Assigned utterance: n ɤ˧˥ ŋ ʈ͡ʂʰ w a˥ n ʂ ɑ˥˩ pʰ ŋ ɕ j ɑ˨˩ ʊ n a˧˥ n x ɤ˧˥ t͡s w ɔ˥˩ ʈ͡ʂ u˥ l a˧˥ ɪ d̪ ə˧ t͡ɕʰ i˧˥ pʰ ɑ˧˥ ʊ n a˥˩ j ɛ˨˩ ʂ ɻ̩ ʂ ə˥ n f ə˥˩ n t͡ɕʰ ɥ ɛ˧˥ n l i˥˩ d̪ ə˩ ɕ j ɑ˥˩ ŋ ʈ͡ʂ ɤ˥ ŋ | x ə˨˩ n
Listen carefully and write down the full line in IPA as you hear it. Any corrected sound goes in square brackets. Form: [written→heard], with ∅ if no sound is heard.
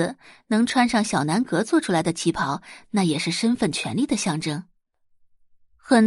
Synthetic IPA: n ɤ˧˥ ŋ ʈ͡ʂʰ w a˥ n ʂ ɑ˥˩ [pʰ→∅] ŋ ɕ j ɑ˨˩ ʊ n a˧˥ n [x→k] ɤ˧˥ t͡s w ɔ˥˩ [ʈ͡ʂ→ʈ͡ʂʰ] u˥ l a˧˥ ɪ d̪ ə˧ t͡ɕʰ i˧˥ pʰ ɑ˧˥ ʊ n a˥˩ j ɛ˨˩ ʂ ɻ̩ ʂ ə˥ n f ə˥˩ n t͡ɕʰ ɥ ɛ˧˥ n l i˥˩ d̪ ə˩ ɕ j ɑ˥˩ ŋ ʈ͡ʂ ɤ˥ ŋ | x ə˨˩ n